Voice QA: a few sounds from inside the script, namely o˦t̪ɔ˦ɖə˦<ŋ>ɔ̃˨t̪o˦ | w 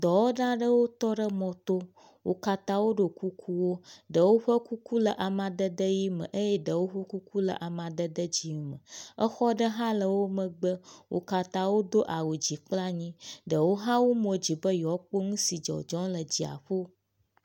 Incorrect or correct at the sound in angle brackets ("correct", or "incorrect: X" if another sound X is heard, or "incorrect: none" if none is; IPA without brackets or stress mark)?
incorrect: m